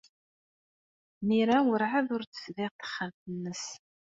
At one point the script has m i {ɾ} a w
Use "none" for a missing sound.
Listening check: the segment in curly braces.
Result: ɾ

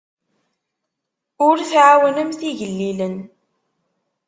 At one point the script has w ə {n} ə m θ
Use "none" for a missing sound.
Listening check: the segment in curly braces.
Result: n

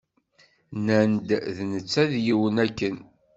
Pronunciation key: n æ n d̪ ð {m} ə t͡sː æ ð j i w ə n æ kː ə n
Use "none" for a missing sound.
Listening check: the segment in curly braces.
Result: n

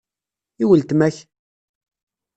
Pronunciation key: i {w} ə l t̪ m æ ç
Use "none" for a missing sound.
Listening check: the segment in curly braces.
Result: w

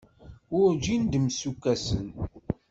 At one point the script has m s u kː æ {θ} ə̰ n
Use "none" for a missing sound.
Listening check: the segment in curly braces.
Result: s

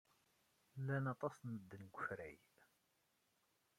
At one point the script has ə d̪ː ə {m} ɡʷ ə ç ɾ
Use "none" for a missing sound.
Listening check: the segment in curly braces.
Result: n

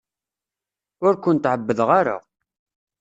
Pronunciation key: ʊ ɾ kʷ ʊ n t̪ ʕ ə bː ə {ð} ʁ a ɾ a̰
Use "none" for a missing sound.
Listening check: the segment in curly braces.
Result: ð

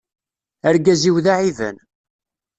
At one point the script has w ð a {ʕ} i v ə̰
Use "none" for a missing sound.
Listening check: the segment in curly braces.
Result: ʕ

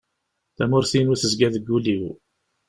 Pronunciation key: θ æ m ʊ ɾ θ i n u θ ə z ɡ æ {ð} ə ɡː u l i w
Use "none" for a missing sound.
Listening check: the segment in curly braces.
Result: ð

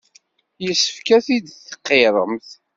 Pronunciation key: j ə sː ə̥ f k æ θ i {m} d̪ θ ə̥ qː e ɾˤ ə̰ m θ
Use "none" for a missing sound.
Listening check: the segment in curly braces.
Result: none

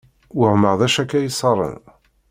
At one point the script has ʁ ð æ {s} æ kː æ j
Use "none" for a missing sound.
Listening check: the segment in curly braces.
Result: ʃ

